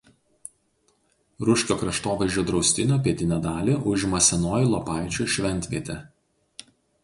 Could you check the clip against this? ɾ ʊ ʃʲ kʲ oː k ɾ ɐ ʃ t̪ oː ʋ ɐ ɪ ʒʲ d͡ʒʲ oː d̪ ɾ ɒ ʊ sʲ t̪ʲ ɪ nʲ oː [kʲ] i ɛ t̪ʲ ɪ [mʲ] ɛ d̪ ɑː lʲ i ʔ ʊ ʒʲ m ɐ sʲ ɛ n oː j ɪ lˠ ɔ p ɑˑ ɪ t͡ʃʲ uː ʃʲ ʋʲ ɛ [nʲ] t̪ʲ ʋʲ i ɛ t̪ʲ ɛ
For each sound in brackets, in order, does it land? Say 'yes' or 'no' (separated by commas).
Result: no, no, yes